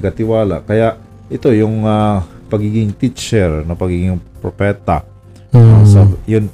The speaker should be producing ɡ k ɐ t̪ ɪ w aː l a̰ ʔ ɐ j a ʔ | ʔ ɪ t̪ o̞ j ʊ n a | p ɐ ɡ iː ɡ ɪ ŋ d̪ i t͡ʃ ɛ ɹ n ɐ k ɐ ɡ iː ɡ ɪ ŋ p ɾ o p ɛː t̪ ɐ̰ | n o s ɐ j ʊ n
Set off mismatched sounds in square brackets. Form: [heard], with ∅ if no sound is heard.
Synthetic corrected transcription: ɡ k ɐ t̪ ɪ w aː l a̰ [k] ɐ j a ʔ | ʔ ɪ t̪ o̞ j ʊ [ŋ] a | p ɐ ɡ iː ɡ ɪ ŋ [t̪] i t͡ʃ ɛ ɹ n ɐ [p] ɐ ɡ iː ɡ ɪ ŋ p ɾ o p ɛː t̪ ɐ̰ | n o s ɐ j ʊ n